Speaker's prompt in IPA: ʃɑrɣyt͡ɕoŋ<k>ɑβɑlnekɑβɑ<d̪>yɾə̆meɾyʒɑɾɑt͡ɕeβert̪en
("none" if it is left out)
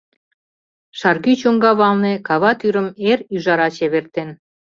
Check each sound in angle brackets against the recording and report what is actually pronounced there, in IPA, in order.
ɡ, t̪

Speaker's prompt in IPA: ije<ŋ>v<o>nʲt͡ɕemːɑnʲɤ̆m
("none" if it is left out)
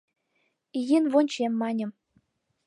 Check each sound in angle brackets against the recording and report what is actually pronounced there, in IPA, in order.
n, o

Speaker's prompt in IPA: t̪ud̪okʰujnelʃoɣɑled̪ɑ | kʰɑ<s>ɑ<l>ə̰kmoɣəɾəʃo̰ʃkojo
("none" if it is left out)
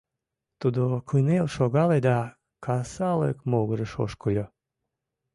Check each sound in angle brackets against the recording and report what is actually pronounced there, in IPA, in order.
s, l

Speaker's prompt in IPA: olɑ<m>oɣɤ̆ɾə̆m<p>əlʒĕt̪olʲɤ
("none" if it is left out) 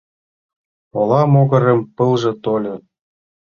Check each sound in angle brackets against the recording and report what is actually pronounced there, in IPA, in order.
m, p

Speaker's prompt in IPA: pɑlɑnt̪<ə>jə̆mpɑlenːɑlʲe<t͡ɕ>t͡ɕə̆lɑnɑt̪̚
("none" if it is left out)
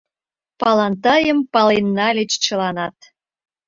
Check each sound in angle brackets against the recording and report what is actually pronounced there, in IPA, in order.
ɑ, t͡ɕ

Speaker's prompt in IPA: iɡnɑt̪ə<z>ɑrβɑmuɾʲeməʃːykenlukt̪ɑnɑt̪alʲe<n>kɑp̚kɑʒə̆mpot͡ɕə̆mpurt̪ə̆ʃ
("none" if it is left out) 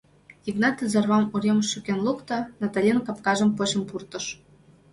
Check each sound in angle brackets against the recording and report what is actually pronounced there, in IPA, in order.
z, n

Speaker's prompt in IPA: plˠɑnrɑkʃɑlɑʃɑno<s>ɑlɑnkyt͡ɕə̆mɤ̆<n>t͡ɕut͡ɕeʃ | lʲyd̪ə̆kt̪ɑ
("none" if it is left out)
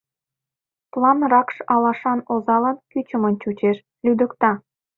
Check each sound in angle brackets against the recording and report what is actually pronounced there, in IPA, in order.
z, n

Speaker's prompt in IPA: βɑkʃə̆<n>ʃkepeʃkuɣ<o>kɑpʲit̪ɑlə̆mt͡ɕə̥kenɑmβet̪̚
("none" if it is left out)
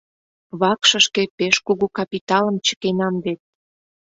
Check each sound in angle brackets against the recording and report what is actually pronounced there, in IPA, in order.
none, u

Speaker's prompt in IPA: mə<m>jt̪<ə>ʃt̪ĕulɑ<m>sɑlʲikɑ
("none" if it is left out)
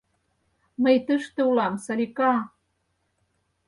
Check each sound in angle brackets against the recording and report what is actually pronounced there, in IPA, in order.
none, ə, m

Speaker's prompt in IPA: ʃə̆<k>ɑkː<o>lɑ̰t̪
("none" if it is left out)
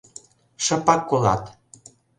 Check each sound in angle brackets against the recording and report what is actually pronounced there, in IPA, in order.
p, o

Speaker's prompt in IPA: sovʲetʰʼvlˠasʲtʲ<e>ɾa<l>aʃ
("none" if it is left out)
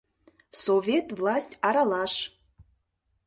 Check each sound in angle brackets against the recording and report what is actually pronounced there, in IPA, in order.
a, l

